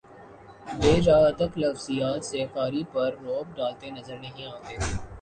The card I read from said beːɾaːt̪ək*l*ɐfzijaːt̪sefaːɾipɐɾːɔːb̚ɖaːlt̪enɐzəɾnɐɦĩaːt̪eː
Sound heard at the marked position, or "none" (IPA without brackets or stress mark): l